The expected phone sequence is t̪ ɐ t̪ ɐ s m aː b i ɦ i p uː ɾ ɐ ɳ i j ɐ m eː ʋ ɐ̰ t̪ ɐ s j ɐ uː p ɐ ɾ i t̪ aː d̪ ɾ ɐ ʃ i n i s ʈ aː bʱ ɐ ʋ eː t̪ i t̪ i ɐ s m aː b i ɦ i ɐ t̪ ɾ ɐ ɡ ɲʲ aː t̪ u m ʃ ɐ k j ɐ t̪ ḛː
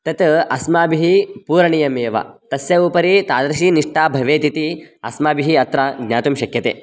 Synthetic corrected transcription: t̪ ɐ t̪ ɐ s m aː b i ɦ i p uː ɾ ɐ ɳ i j ɐ m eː ʋ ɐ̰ t̪ ɐ s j ɐ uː p ɐ ɾ i t̪ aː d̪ ɾ ɐ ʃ i n i ʂ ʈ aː bʱ ɐ ʋ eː t̪ i t̪ i ɐ s m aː b i ɦ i ɐ t̪ ɾ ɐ ɡ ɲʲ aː t̪ u m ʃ ɐ k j ɐ t̪ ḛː